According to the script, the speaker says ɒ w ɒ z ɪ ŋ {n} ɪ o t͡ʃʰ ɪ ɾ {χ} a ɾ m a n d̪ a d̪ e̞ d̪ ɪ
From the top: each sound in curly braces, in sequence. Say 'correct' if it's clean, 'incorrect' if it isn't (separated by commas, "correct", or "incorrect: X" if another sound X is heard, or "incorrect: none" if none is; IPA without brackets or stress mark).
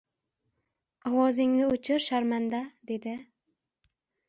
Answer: correct, incorrect: ʃ